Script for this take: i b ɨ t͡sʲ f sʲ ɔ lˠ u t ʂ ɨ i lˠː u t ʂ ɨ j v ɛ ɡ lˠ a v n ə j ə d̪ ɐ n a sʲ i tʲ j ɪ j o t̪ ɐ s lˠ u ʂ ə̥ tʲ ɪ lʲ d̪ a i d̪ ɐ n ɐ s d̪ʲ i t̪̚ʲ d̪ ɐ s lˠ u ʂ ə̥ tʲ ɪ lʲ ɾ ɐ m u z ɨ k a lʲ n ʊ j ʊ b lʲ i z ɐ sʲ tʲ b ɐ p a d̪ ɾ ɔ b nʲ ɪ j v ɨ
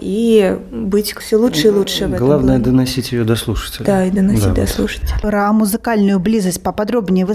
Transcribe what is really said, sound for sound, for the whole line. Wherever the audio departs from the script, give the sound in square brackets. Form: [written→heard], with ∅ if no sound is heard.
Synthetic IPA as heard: i b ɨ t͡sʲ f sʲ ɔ lˠ u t ʂ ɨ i [lˠː→lˠ] u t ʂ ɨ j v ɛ ɡ lˠ a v n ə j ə d̪ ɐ n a sʲ i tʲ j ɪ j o [t̪→d̪] ɐ s lˠ u ʂ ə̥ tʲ ɪ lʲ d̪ a i d̪ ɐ n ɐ s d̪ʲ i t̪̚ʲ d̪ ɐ s lˠ u ʂ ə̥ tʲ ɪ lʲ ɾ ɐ m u z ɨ k a lʲ n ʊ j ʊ b lʲ i z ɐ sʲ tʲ [b→p] ɐ p a d̪ ɾ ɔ b nʲ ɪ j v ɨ